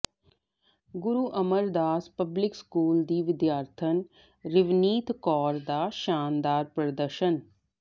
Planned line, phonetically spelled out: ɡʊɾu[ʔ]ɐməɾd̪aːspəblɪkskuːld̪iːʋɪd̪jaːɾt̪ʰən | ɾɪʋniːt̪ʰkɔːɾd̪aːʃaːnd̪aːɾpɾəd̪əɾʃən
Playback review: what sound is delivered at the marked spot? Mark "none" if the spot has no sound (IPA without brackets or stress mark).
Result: ʔ